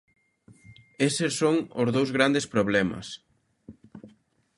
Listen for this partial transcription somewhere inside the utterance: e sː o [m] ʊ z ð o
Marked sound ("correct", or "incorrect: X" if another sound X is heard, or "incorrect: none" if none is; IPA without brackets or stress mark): incorrect: ŋ